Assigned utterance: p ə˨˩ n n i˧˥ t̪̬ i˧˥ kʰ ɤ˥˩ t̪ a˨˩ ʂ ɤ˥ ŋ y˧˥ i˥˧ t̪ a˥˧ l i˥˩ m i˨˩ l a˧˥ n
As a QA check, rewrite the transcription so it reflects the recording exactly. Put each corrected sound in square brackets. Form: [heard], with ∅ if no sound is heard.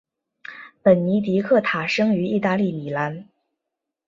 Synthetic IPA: p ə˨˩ n n i˧˥ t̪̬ i˧˥ kʰ ɤ˥˩ [t̪ʰ] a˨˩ ʂ ɤ˥ ŋ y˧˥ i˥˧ t̪ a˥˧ l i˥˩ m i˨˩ l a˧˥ n